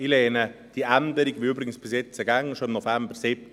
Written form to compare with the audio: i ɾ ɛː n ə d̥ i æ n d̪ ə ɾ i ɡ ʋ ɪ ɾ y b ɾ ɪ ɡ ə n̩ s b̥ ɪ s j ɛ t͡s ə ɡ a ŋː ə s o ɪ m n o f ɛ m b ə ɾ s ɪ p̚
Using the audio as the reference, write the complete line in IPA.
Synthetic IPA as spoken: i l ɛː n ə d̥ i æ n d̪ ə ɾ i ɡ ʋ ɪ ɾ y b ɾ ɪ ɡ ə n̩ s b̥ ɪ s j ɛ t͡s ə ɡ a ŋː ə ʃ o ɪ m n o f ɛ m b ə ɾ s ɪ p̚